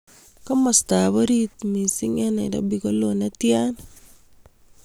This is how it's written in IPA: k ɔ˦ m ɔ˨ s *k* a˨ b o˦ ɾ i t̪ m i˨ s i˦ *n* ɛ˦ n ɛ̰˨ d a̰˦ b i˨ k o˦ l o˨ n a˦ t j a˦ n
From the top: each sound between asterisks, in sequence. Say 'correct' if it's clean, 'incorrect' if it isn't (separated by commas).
incorrect, incorrect